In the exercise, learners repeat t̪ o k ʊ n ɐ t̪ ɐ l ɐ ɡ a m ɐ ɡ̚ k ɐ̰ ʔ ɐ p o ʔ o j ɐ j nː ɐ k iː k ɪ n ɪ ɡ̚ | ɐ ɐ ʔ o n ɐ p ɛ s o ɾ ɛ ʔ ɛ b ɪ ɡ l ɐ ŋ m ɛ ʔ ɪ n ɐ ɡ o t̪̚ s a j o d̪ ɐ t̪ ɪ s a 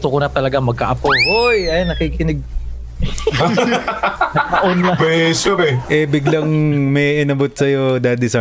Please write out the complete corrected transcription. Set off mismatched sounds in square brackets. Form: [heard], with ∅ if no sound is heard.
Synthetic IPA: t̪ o k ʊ n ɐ t̪ ɐ l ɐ ɡ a m ɐ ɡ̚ k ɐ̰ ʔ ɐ p o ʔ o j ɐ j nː ɐ k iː k ɪ n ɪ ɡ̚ | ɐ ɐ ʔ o n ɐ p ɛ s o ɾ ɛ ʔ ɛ b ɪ ɡ l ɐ ŋ m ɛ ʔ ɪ n ɐ [b] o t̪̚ s [ɐ] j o d̪ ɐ [d̪] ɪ s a